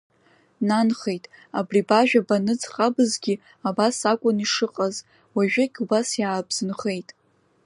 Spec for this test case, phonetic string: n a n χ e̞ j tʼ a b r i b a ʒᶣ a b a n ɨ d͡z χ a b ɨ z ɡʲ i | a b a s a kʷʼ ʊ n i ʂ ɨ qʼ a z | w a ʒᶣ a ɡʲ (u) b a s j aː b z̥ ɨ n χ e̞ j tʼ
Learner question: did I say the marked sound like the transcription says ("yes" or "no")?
yes